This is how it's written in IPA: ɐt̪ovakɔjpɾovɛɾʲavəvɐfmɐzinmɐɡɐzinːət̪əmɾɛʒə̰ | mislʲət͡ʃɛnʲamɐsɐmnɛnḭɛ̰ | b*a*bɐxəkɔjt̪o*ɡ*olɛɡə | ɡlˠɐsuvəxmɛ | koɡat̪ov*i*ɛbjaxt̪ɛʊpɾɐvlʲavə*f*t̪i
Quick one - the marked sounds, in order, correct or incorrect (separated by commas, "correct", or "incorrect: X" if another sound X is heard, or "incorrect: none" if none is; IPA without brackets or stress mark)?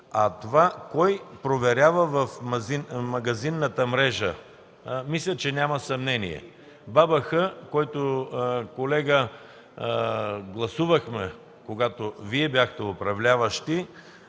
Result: correct, incorrect: k, correct, incorrect: ʃ